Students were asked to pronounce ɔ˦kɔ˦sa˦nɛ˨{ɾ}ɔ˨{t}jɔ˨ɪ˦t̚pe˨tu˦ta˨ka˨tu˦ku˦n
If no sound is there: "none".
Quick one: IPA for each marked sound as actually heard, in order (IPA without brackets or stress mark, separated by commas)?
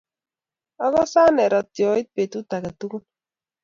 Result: ɾ, t